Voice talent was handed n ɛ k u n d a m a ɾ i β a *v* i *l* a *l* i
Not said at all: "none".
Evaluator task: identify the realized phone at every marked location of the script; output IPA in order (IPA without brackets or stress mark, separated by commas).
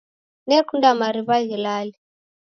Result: ɣ, l, l